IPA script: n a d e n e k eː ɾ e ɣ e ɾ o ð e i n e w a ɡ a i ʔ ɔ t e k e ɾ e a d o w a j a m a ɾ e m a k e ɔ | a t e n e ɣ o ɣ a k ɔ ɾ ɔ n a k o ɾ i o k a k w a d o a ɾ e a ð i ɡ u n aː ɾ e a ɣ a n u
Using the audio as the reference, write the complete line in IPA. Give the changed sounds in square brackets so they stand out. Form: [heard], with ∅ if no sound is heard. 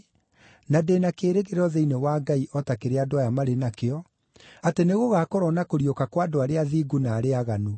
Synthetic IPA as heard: n a d e n [a] k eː ɾ e ɣ e ɾ [ɔ] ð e i n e w a ɡ a i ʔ ɔ t [a] k e ɾ e a d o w a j a m a ɾ e [n] a k e ɔ | a t e n e ɣ o ɣ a k ɔ ɾ ɔ n a k o ɾ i o k a k w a d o a ɾ e a ð i ɡ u n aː ɾ e a ɣ a n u